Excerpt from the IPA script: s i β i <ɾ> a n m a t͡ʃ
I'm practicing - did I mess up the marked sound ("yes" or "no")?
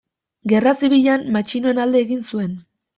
yes